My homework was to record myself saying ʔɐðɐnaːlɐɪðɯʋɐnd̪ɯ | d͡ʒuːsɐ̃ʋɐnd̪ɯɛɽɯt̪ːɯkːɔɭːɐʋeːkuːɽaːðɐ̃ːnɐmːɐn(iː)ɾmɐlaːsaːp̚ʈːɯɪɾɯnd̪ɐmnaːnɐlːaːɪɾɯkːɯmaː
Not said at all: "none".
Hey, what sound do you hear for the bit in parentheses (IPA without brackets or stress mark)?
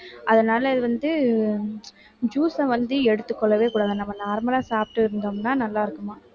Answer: aː